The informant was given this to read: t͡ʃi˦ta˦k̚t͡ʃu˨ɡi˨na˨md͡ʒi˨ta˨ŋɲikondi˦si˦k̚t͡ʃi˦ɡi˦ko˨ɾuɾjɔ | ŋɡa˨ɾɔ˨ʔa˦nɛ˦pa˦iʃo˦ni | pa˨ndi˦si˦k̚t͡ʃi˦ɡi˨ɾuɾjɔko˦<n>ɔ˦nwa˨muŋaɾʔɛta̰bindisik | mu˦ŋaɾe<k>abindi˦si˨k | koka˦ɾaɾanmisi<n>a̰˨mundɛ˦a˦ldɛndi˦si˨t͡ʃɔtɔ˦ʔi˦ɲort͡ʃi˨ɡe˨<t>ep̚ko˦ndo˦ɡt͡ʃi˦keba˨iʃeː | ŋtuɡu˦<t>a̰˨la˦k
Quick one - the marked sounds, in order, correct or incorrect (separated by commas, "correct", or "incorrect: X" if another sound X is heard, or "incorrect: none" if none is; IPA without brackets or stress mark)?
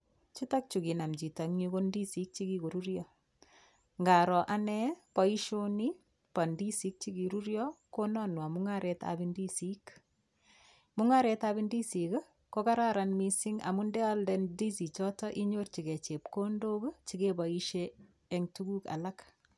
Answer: correct, incorrect: t, incorrect: ŋ, incorrect: t͡ʃ, incorrect: k